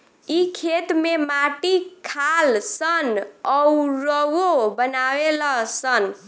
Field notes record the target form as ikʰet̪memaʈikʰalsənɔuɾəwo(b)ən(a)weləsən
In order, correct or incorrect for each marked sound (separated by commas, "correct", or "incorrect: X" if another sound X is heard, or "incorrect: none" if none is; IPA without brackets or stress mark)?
correct, correct